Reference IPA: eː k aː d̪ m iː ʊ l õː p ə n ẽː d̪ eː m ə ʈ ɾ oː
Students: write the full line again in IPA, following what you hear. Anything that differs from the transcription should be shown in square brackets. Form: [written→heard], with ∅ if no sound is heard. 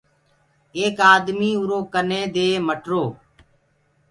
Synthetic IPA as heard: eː k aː d̪ m iː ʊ [l→ɾ] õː [p→k] ə n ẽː d̪ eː m ə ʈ ɾ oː